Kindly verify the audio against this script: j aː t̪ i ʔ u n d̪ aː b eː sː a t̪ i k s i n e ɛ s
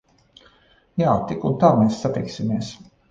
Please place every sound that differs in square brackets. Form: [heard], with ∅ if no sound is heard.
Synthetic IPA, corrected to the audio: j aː t̪ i [k] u n [t̪] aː [m] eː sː a t̪ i k s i [m] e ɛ s